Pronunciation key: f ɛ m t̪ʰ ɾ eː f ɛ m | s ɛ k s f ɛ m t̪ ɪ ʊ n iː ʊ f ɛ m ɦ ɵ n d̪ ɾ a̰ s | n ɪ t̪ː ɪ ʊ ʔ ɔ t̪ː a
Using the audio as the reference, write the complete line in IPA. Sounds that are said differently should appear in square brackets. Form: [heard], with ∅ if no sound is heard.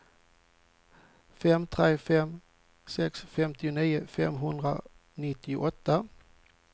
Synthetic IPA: f ɛ m t̪ʰ ɾ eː f ɛ m | s ɛ k s f ɛ m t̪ ɪ ʊ n iː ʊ f ɛ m ɦ ɵ n d̪ ɾ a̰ [∅] | n ɪ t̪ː ɪ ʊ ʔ ɔ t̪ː a

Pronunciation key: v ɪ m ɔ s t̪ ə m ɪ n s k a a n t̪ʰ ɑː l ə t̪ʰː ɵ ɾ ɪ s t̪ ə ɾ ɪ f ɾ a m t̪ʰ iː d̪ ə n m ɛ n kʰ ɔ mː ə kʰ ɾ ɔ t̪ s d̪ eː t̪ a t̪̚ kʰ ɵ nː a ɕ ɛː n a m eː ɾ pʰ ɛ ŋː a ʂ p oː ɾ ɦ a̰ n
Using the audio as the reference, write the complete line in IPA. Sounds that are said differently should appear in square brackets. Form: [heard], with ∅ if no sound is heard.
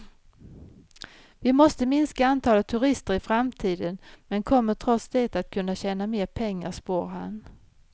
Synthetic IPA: v ɪ m ɔ s t̪ ə m ɪ n s k a a n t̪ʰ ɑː l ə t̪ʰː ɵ ɾ ɪ s t̪ ə ɾ ɪ f ɾ a m t̪ʰ iː d̪ ə n m ɛ n kʰ ɔ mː ə [ʈʰ] ɾ ɔ t̪ s d̪ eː t̪ a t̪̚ kʰ ɵ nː a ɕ ɛː n a m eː ɾ pʰ ɛ ŋː a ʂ p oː ɾ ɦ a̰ n

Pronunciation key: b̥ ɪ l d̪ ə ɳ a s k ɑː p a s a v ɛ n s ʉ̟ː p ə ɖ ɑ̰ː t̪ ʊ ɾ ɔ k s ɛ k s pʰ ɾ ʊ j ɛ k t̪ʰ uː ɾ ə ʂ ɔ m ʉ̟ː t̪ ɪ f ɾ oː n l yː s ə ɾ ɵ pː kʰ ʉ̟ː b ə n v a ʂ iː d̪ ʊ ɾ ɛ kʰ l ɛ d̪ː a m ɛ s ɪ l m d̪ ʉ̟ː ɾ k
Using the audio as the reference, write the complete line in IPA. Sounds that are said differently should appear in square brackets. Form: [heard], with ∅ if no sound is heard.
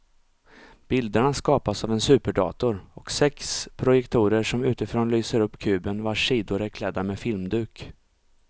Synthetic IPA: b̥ ɪ l d̪ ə ɳ a s k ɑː p a s a v ɛ n s ʉ̟ː p ə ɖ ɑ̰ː t̪ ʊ ɾ ɔ k s ɛ k s pʰ ɾ ʊ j ɛ k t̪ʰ uː ɾ ə ʂ ɔ m ʉ̟ː t̪ ɪ f ɾ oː n l yː s ə ɾ ɵ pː kʰ ʉ̟ː b ə n v a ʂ iː d̪ ʊ ɾ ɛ kʰ l ɛ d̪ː a m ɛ [f] ɪ l m d̪ ʉ̟ː [∅] k

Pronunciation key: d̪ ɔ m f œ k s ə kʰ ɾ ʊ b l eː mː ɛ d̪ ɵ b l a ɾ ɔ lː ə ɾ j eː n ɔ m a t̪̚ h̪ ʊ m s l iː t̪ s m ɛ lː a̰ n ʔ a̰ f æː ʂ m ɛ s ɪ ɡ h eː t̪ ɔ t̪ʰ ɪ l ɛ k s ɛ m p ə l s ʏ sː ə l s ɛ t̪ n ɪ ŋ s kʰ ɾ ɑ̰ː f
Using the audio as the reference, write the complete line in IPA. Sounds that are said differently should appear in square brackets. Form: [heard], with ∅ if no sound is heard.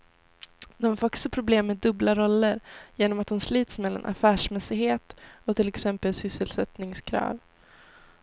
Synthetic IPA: d̪ ɔ m f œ k s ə [pʰ] ɾ ʊ b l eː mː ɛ d̪ ɵ b l a ɾ ɔ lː ə ɾ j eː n ɔ m a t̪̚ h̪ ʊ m s l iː t̪ s m ɛ lː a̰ n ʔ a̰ f æː ʂ m ɛ s ɪ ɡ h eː t̪ ɔ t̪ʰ ɪ l ɛ k s ɛ m p ə l s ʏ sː ə l s ɛ t̪ n ɪ ŋ s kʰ ɾ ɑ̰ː [v]

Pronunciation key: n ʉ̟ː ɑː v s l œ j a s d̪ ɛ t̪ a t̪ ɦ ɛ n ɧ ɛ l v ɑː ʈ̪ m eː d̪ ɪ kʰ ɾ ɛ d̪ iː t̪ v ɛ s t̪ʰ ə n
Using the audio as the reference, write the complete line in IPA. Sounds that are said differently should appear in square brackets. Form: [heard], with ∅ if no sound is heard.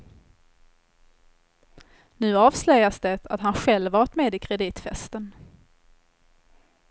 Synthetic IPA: n ʉ̟ː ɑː v s l œ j a s d̪ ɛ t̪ a t̪ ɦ [a] n ɧ ɛ l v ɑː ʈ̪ m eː d̪ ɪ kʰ ɾ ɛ d̪ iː t̪ [f] ɛ s [t̪] ə n

